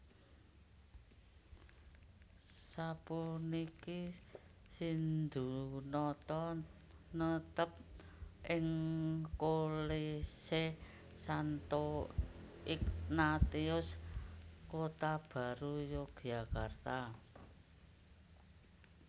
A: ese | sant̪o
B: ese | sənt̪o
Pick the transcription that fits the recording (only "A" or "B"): A